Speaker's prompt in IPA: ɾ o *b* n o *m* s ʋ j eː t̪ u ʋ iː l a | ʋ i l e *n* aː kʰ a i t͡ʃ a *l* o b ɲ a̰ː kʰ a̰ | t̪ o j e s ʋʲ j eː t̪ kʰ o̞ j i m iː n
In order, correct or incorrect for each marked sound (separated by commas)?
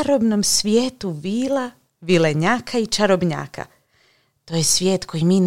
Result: correct, correct, incorrect, incorrect